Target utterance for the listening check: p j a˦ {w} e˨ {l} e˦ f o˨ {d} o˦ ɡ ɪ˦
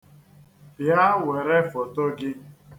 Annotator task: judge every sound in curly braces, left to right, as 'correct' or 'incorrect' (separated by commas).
correct, incorrect, incorrect